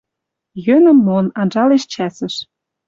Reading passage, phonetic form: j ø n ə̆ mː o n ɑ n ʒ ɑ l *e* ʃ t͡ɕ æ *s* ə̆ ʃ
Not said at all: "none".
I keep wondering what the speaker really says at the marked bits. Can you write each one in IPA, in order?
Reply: e, s

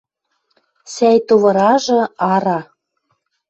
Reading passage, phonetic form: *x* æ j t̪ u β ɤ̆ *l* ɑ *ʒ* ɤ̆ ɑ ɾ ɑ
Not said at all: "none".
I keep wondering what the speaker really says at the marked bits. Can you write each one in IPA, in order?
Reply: s, ɾ, ʒ

